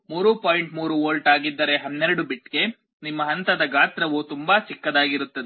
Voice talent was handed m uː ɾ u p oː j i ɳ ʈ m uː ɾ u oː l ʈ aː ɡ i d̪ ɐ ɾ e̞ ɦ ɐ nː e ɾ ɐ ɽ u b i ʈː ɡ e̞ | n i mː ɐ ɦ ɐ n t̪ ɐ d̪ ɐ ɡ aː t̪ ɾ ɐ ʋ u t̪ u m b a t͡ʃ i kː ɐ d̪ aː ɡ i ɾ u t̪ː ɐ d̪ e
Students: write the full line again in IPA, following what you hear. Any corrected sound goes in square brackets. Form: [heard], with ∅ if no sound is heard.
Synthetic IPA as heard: m uː ɾ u p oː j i ɳ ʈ m uː ɾ u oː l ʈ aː ɡ i [d̪ː] ɐ ɾ e̞ ɦ ɐ nː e ɾ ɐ ɽ u b i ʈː ɡ e̞ | n i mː ɐ ɦ ɐ n t̪ ɐ d̪ ɐ ɡ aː t̪ ɾ ɐ ʋ u t̪ u m b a t͡ʃ i kː ɐ d̪ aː ɡ i ɾ u t̪ː ɐ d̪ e